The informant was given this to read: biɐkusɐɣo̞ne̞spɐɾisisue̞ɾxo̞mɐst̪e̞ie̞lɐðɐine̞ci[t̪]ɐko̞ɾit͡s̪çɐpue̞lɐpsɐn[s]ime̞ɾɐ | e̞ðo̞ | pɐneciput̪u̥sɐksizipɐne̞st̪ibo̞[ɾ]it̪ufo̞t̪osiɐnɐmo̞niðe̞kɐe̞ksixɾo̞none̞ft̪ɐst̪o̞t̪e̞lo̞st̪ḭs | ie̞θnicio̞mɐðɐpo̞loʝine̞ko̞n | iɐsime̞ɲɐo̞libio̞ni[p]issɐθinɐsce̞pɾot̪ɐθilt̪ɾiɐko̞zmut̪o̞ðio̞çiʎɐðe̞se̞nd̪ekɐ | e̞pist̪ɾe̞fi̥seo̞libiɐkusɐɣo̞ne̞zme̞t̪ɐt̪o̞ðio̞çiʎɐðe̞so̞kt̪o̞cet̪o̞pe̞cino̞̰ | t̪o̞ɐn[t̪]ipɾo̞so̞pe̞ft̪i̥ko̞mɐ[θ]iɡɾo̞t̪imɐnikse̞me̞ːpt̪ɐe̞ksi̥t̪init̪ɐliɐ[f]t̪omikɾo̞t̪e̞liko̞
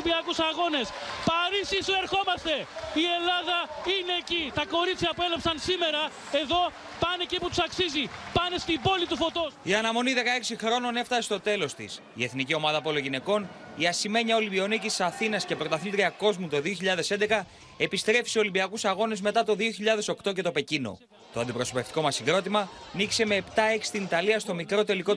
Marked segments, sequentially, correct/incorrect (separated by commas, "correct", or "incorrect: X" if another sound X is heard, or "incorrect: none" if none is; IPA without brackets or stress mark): correct, correct, incorrect: l, incorrect: c, incorrect: d̪, incorrect: s, incorrect: s